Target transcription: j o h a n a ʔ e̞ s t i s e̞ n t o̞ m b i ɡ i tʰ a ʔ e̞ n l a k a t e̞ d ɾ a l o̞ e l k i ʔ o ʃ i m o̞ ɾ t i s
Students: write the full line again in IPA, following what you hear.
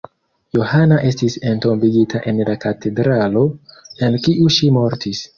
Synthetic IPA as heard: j o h a n a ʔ e̞ s t i s e̞ n t o̞ m b i ɡ i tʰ a ʔ e̞ n l a k a t e̞ d ɾ a l o̞ e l k i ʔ u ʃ i m o̞ ɾ t i s

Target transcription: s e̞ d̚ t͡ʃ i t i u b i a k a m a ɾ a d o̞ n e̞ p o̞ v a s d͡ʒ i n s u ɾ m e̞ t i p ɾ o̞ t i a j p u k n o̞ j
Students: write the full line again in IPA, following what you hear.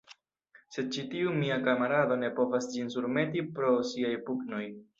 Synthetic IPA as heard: s e̞ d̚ t͡ʃ i t i u m i a k a m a ɾ a d o̞ n e̞ p o̞ v a s d͡ʒ i n s u ɾ m e̞ t i p ɾ o̞ s i a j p u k n o̞ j

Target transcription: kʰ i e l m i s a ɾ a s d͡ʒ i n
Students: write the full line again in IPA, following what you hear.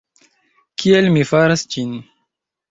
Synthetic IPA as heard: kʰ i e l m i f a ɾ a s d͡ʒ i n

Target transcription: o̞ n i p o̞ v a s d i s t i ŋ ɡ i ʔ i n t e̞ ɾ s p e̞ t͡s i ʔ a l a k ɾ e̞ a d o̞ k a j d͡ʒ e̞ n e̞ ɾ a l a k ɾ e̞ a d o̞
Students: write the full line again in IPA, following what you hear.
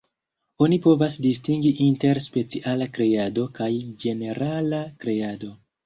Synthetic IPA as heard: o̞ n i p o̞ v a s d i s t i ŋ ɡ i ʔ i n t e̞ ɾ s p e̞ t͡s i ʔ a l a k ɾ e̞ a d o̞ k a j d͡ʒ e̞ n e̞ ɾ a l a k ɾ e̞ a d o̞

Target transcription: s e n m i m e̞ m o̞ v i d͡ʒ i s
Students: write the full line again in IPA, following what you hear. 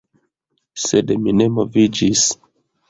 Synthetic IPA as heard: s e d m i n e̞ m o̞ v i d͡ʒ i s

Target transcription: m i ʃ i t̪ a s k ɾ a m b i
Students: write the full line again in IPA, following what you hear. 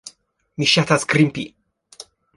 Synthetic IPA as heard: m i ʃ a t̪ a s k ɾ i m p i

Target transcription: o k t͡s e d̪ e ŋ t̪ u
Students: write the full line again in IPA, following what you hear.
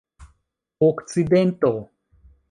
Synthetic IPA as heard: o k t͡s i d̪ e n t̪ o

